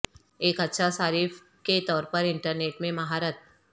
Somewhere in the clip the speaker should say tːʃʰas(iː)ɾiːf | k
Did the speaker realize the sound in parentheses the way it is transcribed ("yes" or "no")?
no